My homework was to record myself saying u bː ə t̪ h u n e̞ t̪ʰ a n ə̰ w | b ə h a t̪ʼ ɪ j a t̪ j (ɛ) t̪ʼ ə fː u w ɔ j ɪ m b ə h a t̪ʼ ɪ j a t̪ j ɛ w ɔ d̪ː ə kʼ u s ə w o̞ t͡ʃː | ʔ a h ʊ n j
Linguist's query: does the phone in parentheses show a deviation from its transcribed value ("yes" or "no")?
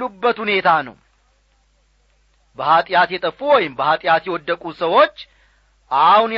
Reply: no